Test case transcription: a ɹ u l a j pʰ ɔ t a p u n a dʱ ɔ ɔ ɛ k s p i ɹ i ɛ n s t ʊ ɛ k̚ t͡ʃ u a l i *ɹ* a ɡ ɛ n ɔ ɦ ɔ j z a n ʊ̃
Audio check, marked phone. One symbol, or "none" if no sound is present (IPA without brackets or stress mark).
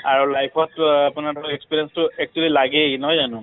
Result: l